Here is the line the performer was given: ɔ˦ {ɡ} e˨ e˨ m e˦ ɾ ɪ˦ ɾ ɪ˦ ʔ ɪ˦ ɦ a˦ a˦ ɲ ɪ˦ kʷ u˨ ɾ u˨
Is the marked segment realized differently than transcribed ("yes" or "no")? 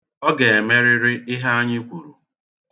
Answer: no